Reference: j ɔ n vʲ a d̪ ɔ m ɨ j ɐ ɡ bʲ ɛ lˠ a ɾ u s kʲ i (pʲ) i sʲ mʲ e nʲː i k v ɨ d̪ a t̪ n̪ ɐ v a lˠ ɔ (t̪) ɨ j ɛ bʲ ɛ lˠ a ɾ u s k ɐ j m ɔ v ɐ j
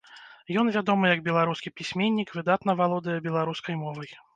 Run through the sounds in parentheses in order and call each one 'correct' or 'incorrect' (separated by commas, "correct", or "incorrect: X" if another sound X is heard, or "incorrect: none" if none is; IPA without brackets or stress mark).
correct, incorrect: d̪